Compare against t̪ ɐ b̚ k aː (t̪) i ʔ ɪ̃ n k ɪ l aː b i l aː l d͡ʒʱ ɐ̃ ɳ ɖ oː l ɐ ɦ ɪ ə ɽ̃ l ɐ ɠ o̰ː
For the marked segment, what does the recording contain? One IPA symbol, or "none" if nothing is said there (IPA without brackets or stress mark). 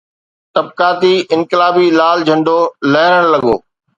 t̪